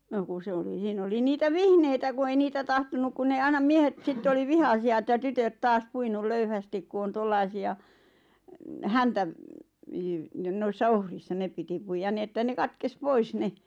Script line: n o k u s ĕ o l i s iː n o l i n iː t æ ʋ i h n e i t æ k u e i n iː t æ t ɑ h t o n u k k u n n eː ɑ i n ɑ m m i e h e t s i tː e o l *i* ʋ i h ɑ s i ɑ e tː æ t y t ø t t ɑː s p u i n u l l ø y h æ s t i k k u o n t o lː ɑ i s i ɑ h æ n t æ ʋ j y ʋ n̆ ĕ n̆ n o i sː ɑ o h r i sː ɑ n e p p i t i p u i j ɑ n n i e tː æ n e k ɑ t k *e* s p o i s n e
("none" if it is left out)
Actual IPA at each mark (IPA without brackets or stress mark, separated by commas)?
i, e